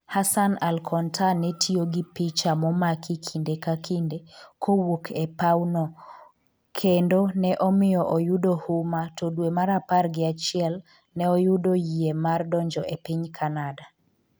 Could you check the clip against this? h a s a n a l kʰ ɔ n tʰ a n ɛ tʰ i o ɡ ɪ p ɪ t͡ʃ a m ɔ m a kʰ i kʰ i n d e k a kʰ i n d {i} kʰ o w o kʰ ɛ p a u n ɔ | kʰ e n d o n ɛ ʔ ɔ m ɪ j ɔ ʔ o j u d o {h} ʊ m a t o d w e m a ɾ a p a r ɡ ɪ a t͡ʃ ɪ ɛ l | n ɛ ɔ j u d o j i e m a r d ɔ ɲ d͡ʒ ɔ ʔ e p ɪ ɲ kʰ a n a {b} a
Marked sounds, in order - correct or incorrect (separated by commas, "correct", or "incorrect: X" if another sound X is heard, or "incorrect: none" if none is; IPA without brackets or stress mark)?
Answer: incorrect: e, correct, incorrect: d